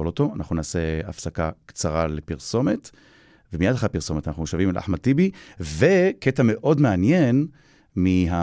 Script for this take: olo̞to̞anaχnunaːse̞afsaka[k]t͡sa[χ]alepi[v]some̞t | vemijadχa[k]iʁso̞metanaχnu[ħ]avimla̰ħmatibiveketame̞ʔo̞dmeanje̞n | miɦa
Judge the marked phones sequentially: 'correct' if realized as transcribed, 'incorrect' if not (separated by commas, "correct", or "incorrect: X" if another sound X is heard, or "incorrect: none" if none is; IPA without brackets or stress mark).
correct, incorrect: ʁ, incorrect: ʁ, incorrect: p, incorrect: ʃ